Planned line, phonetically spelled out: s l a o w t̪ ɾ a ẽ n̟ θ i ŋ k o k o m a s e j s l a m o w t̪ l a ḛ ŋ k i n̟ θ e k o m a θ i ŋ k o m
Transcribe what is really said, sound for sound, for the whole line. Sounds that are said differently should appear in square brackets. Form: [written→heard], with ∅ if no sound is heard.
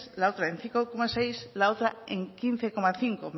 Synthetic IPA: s l a o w t̪ ɾ a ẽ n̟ θ i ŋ k o k o m a s e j s l a [m→∅] o w t̪ [l→ɾ] a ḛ ŋ k i n̟ θ e k o m a θ i ŋ k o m